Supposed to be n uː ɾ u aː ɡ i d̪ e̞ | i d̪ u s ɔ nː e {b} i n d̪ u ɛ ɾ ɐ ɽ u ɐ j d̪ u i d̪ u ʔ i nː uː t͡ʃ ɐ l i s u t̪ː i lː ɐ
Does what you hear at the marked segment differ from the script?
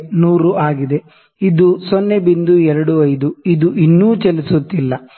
no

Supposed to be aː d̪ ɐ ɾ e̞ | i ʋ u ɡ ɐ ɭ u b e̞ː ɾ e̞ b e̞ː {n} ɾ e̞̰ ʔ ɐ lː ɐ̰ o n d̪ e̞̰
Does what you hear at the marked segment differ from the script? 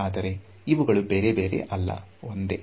yes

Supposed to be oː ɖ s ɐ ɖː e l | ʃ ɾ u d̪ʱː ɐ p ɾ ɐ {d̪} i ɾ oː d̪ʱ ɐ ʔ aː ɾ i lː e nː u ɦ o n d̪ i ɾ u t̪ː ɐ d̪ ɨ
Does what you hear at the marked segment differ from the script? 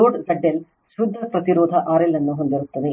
yes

